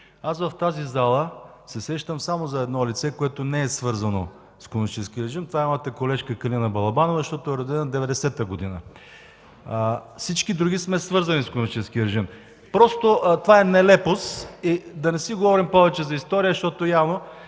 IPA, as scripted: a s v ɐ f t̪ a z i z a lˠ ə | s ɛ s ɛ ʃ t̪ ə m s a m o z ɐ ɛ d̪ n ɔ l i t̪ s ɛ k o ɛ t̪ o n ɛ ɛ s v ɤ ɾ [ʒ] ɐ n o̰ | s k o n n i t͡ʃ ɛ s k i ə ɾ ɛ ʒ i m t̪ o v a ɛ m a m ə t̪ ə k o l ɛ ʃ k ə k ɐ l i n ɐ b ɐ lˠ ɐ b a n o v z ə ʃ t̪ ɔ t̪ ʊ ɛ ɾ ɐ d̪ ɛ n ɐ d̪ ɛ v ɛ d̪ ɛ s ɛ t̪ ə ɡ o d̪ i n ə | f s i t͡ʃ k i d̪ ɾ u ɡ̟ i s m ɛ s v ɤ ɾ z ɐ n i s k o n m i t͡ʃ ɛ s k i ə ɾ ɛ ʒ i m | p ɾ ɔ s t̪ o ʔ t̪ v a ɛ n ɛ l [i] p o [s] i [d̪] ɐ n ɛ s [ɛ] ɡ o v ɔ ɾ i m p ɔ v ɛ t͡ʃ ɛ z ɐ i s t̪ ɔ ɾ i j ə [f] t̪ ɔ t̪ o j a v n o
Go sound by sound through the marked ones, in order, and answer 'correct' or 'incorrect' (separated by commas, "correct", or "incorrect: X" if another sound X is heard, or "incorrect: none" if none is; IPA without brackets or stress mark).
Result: incorrect: z, incorrect: ɛ, correct, correct, incorrect: i, incorrect: ʃ